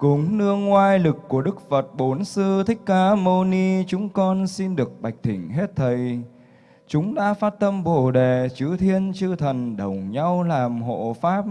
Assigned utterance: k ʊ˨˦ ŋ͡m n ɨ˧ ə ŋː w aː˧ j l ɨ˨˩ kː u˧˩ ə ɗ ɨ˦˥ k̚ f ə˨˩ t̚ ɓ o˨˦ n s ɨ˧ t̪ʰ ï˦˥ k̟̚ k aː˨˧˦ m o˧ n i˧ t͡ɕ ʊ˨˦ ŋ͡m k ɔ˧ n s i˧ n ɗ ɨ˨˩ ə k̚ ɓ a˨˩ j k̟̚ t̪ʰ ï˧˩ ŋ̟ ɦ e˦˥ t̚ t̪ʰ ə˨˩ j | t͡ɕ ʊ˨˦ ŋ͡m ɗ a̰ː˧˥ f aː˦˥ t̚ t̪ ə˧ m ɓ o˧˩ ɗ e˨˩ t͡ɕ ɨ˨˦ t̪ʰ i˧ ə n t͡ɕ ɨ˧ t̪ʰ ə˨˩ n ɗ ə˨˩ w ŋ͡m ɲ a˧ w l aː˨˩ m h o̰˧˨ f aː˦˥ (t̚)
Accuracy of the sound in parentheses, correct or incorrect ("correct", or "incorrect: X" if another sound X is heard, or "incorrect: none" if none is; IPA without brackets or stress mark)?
incorrect: p̚